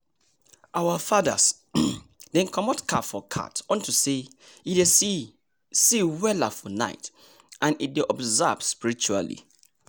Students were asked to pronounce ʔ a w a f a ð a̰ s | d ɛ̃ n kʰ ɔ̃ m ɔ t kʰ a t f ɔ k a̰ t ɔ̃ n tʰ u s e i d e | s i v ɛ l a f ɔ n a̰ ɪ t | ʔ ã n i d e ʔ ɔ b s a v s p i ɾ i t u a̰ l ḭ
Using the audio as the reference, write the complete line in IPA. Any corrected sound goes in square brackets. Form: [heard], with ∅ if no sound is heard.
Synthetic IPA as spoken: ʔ a w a f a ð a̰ s | d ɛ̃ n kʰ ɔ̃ m ɔ t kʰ a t f ɔ [kʰ] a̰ t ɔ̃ n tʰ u s e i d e | s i [w] ɛ l a f ɔ n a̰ ɪ t | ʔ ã n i d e ʔ ɔ b [z] a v s p i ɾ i [t͡ʃ] u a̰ l ḭ